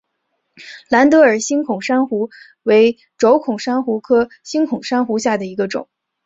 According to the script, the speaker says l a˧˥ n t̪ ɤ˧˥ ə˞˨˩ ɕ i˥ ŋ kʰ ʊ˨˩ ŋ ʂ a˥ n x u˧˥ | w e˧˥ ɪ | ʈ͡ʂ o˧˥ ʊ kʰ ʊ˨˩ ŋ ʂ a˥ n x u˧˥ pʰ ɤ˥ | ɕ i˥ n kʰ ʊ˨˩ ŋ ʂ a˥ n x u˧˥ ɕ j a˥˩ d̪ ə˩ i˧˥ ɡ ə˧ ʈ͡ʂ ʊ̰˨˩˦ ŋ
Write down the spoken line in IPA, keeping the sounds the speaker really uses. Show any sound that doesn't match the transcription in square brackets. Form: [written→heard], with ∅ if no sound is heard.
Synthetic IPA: l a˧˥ n t̪ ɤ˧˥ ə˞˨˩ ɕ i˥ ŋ kʰ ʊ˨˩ ŋ ʂ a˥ n x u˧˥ | w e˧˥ ɪ | ʈ͡ʂ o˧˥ ʊ kʰ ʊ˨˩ ŋ ʂ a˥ n x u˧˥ [pʰ→kʰ] ɤ˥ | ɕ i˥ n kʰ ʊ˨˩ ŋ ʂ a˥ n x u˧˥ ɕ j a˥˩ d̪ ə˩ i˧˥ ɡ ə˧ ʈ͡ʂ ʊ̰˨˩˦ ŋ